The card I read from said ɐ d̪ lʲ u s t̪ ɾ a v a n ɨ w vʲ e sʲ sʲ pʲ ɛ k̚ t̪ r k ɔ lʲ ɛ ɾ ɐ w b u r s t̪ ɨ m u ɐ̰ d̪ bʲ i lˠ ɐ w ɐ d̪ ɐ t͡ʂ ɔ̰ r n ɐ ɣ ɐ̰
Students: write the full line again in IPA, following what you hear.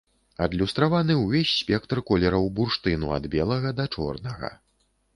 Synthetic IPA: ɐ d̪ lʲ u s t̪ ɾ a v a n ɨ w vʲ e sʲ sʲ pʲ ɛ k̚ t̪ r k ɔ lʲ ɛ ɾ ɐ w b u r ʂ t̪ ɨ n u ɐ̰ d̪ bʲ ɛ lˠ ɐ ɣ ɐ d̪ ɐ t͡ʂ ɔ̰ r n ɐ ɣ ɐ̰